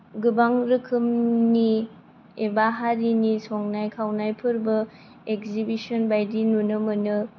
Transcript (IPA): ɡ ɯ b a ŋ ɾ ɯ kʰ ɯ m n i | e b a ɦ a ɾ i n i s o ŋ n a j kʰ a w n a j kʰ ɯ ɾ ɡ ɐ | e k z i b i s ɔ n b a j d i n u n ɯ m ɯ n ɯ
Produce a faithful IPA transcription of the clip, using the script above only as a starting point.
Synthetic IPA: ɡ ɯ b a ŋ ɾ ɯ kʰ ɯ m n i | e b a ɦ a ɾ i n i s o ŋ n a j kʰ a w n a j pʰ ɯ ɾ b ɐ | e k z i b i s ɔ n b a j d i n u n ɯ m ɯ n ɯ